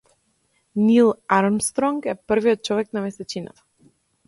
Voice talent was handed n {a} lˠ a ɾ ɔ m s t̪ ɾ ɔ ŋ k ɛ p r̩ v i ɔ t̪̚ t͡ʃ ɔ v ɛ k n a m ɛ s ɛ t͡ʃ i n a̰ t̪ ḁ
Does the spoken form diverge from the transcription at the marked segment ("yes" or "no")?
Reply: yes